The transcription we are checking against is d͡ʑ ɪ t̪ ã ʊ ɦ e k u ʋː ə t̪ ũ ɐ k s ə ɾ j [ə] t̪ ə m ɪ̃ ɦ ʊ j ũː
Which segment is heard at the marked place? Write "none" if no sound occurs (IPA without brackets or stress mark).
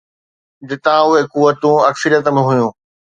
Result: ə